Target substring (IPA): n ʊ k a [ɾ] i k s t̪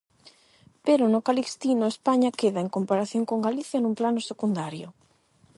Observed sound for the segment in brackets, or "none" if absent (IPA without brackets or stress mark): l